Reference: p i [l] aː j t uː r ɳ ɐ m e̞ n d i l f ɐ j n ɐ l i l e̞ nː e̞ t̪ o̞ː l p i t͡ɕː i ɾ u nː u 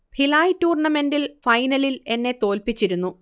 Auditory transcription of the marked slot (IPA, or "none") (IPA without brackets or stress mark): l